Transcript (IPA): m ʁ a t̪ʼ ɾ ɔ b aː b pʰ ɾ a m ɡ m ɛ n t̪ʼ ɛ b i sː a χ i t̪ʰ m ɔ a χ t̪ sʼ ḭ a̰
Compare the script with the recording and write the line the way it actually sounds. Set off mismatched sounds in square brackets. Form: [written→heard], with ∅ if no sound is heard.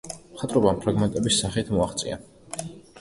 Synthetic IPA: m [ʁ→χ] a t̪ʼ ɾ ɔ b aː [b→m] pʰ ɾ a [m→∅] ɡ m ɛ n t̪ʼ ɛ b i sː a χ i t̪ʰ m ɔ a χ t̪ sʼ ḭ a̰